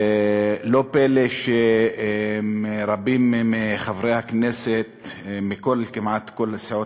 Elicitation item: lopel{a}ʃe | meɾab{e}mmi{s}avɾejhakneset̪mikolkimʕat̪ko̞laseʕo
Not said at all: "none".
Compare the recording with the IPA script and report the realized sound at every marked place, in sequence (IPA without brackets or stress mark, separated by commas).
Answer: e, i, χ